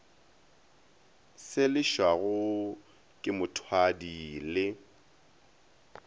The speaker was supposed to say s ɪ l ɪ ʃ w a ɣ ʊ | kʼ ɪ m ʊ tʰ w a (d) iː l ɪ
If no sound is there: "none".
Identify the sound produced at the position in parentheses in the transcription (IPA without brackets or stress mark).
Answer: d